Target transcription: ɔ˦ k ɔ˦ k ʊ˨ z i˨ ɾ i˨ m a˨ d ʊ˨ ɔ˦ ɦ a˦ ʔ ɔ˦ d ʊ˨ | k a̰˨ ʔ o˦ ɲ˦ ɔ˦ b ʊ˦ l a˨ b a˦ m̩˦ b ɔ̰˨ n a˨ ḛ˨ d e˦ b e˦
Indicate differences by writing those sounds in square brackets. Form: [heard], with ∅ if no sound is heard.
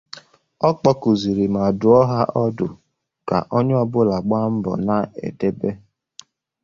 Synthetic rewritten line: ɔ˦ [k͡p] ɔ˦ k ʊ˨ z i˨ ɾ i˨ m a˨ d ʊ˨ ɔ˦ ɦ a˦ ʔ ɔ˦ d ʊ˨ | k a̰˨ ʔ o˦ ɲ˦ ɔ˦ b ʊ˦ l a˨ [ɡ͡b] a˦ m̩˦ b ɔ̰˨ n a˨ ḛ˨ d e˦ b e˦